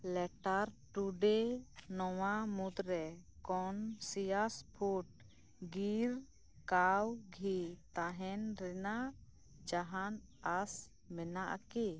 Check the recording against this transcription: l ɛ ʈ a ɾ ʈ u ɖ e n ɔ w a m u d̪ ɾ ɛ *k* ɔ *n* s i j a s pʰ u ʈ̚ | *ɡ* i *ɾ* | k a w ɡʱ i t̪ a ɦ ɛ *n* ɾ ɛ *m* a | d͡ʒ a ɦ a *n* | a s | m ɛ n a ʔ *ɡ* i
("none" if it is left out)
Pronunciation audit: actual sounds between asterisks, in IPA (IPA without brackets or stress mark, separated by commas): k, n, ɡ, ɾ, n, n, n, k